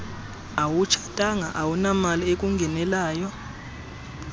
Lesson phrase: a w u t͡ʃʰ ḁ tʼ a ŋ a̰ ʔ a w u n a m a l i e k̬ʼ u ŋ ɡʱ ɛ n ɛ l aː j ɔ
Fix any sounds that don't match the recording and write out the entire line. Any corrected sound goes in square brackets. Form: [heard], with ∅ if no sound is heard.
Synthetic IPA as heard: a w u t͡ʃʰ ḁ tʼ a ŋ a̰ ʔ a w u n a m a l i e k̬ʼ u ŋ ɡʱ ɛ n ɛ l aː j ɔ